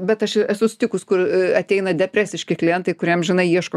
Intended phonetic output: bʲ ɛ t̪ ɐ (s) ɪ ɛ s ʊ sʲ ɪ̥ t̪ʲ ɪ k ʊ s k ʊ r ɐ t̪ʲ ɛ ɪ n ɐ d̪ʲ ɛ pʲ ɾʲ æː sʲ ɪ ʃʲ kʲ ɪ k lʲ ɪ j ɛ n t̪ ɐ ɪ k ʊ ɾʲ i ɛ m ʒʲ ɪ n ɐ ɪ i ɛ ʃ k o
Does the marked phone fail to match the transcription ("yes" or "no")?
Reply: yes